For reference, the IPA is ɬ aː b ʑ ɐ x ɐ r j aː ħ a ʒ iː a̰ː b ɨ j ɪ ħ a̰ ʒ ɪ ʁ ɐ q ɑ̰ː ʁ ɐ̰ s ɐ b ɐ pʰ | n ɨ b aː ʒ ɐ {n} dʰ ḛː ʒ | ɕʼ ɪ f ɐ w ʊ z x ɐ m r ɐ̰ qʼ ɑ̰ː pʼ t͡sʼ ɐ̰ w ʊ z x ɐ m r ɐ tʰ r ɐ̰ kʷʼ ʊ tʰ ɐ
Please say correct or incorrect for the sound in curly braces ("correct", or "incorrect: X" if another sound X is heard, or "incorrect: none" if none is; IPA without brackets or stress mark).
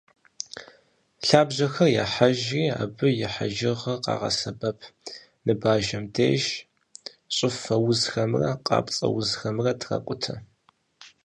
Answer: incorrect: m